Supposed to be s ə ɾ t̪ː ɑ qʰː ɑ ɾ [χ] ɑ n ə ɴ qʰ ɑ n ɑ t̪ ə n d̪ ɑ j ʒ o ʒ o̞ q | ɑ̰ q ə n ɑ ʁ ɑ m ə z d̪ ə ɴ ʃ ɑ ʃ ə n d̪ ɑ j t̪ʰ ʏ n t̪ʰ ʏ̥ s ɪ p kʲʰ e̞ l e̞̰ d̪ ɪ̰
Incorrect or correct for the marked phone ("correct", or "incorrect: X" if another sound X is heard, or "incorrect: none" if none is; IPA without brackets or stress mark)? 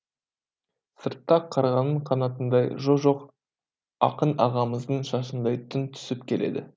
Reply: incorrect: ʁ